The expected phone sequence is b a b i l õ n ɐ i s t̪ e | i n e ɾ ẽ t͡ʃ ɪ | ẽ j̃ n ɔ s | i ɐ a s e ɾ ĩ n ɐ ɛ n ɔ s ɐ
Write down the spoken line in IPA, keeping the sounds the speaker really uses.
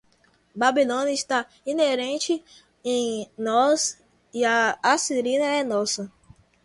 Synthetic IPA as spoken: b a b i l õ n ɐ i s t̪ a | i n e ɾ ẽ t͡ʃ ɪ | ẽ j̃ n ɔ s | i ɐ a s i ɾ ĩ n ɐ ɛ n ɔ s ɐ